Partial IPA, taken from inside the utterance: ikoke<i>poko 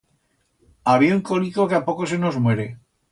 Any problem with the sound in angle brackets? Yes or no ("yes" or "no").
yes